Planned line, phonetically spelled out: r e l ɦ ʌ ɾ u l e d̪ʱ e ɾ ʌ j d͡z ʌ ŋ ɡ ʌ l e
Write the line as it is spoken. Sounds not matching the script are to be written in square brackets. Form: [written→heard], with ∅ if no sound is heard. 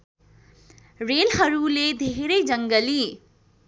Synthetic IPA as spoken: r e l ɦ ʌ ɾ u l e d̪ʱ e ɾ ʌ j d͡z ʌ ŋ ɡ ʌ l [e→i]